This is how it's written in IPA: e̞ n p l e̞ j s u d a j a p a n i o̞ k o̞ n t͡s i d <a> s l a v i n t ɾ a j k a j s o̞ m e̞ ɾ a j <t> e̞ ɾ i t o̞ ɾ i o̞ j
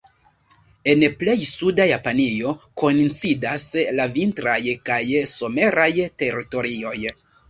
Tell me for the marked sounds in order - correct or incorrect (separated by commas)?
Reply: correct, correct